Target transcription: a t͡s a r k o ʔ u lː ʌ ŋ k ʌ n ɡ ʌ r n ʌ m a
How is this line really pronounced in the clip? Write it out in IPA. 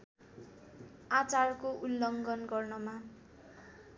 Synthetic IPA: a t͡s a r k o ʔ u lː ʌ ŋ ɡ ʌ n ɡ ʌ r n ʌ m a